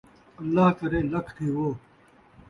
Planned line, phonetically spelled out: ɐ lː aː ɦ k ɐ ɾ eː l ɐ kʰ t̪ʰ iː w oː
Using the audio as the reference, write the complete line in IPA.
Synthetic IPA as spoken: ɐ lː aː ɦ k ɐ ɾ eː l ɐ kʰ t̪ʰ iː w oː

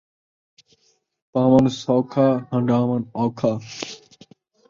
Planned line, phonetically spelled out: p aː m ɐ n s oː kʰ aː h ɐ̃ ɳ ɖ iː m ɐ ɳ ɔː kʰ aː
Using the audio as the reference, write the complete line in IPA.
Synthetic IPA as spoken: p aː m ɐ n s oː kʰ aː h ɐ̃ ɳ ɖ aː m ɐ n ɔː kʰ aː

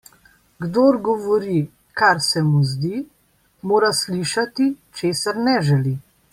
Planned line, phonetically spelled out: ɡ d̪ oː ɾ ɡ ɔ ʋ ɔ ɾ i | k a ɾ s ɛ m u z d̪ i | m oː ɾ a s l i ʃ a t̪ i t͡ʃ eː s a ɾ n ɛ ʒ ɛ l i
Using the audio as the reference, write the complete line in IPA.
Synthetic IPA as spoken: ɡ d̪ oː ɾ ɡ ɔ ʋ ɔ ɾ i | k a ɾ s ɛ m u z d̪ i | m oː ɾ a s l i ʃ a t̪ i t͡ʃ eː s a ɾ n ɛ ʒ ɛ l i

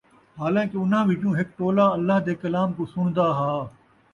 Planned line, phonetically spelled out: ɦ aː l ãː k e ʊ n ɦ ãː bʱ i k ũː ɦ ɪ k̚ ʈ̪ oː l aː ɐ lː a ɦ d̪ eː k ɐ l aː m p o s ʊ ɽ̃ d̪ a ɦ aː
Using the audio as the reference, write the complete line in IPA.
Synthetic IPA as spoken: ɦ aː l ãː k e ʊ n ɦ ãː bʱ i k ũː ɦ ɪ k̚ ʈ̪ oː l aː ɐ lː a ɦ d̪ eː k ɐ l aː m k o s ʊ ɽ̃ d̪ a ɦ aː

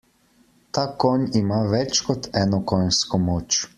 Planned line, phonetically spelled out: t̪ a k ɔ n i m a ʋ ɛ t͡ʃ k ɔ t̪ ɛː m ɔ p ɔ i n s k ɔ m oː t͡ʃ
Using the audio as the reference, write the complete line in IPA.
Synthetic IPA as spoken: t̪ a k ɔ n i m a ʋ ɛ t͡ʃ k ɔ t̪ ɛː n ɔ k ɔ j n s k ɔ m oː t͡ʃ

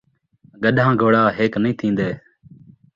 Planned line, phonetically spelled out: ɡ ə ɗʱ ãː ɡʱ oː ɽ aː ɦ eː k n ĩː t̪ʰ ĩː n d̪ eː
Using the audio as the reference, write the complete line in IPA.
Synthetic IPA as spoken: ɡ ə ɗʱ ãː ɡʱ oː ɽ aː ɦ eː k n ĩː t̪ʰ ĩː n d̪ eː

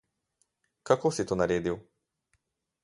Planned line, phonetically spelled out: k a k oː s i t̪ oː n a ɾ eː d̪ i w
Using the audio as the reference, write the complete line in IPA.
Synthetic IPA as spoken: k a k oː s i t̪ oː n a ɾ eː d̪ i w

